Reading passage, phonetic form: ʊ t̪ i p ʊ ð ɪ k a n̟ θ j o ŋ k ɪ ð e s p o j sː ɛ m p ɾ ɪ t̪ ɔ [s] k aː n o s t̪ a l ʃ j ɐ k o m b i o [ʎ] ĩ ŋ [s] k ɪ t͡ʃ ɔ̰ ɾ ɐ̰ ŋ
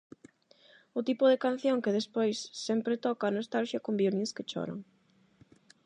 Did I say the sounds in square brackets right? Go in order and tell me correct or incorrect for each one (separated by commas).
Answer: incorrect, incorrect, correct